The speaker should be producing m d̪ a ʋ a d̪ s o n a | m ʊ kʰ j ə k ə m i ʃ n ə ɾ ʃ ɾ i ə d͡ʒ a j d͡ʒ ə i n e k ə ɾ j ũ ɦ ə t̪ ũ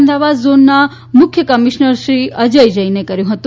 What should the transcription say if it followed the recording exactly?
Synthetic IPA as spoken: m d̪ a ʋ a d̪ z o nː a | m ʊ kʰ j ə k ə m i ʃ n ə ɾ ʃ ɾ i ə d͡ʒ ə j d͡ʒ ə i n e k ə ɾ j ũ ɦ ə t̪ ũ